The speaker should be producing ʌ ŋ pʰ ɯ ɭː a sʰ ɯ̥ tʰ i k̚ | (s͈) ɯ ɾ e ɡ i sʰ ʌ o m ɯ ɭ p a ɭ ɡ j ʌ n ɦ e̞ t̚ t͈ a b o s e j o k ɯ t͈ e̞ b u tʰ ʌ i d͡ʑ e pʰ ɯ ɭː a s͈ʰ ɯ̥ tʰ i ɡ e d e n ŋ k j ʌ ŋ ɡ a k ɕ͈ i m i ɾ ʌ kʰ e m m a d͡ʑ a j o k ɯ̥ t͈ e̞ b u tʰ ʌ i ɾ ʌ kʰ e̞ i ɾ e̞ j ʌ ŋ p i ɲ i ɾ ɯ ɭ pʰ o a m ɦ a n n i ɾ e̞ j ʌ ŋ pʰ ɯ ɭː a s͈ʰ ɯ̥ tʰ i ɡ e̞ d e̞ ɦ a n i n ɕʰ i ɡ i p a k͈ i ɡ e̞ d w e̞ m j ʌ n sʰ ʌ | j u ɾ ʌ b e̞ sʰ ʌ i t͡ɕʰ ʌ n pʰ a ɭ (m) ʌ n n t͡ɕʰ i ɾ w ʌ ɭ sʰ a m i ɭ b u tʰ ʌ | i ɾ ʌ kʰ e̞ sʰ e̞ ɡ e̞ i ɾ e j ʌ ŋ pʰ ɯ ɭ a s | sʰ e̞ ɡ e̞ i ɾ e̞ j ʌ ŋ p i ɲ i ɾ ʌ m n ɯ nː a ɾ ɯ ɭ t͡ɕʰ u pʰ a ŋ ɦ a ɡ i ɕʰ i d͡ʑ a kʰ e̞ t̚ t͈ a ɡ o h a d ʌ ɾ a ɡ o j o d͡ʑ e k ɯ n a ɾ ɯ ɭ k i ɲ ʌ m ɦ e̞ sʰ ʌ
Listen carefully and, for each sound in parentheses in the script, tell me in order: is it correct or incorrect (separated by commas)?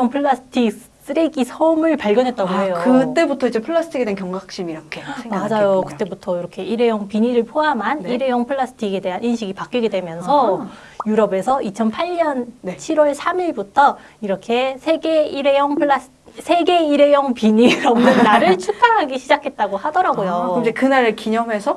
correct, incorrect